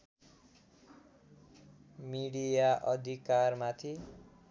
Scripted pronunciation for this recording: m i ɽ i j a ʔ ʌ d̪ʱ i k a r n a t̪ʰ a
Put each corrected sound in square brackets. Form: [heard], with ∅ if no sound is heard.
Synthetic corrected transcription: m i ɽ i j a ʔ ʌ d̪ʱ i k a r [m] a t̪ʰ [i]